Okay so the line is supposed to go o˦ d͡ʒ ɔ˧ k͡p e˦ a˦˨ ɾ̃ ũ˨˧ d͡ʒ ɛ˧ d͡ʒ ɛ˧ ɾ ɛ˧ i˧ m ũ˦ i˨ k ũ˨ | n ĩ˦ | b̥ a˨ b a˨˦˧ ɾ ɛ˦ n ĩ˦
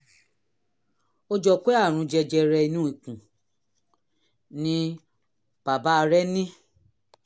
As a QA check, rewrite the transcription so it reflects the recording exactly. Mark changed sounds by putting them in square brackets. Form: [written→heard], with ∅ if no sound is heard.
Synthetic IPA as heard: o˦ d͡ʒ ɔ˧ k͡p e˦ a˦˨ ɾ̃ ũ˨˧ d͡ʒ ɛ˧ d͡ʒ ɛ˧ ɾ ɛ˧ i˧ [m→n] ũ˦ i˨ k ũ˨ | n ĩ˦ | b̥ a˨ b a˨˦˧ ɾ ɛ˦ n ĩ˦